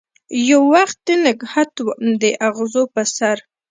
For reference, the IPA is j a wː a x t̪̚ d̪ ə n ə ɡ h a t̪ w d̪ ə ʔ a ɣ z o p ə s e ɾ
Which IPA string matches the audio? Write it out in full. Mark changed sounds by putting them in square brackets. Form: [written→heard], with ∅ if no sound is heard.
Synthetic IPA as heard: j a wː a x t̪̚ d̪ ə n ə ɡ h a t̪ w d̪ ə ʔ a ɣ z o p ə s [e→a] ɾ